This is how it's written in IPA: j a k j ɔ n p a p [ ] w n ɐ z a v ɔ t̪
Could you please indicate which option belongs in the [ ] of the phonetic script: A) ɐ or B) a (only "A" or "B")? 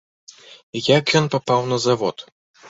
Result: B